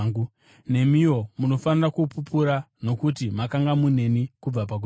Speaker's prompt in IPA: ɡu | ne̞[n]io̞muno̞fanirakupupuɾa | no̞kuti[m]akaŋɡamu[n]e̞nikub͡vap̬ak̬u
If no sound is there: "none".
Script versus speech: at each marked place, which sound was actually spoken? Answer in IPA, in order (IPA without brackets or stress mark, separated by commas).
m, m, n